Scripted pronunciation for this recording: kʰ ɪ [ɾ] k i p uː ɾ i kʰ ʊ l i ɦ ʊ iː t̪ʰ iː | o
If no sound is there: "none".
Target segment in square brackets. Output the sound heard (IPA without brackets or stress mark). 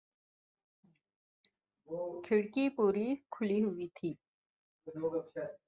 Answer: ɽ